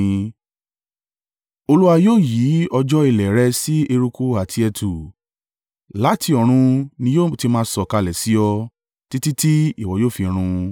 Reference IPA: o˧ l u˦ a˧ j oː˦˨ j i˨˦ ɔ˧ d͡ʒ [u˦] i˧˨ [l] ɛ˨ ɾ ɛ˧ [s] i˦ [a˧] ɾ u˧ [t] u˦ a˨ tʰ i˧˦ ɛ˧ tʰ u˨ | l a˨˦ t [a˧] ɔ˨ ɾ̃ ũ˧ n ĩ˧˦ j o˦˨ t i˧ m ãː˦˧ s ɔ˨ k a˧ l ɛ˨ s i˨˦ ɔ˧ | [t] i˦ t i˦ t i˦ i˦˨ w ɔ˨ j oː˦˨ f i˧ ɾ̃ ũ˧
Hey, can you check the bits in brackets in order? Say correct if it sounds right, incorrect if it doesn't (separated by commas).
incorrect, correct, correct, incorrect, incorrect, incorrect, correct